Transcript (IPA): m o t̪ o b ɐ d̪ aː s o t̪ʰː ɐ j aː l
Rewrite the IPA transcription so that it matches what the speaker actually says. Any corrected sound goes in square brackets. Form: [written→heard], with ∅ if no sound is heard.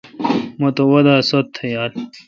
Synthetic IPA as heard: m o t̪ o [b→w] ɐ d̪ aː s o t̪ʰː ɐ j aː l